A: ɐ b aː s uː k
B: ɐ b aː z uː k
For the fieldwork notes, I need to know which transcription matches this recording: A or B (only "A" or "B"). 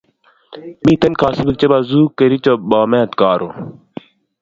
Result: B